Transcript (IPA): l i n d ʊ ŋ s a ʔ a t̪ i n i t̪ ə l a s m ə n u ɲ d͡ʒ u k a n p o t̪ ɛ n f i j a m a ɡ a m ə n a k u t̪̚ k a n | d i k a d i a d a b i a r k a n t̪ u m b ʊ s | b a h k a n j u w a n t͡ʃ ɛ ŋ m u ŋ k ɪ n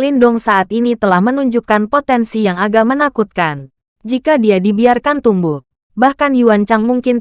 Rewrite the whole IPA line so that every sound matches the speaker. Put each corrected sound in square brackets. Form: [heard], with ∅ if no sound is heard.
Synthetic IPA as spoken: l i n d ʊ ŋ s a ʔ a t̪ i n i t̪ ə l a [h] m ə n u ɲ d͡ʒ u k a n p o t̪ ɛ n [s] i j a [ŋ] a ɡ a m ə n a k u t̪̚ k a n | [d͡ʒ] i k a d i a d [i] b i a r k a n t̪ u m b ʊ [h] | b a h k a n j u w a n t͡ʃ [a] ŋ m u ŋ k ɪ n